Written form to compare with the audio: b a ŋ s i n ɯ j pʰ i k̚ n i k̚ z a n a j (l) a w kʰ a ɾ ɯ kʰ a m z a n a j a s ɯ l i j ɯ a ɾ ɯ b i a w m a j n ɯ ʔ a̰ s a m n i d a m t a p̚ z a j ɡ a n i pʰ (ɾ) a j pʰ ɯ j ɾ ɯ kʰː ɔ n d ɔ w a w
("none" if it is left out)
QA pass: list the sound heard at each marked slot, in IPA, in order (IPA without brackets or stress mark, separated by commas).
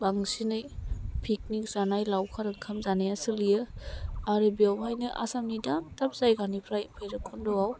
l, ɾ